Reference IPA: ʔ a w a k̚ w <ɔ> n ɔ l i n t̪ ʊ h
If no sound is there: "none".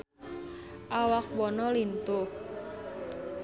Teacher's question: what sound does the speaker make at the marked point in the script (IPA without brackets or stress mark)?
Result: ɔ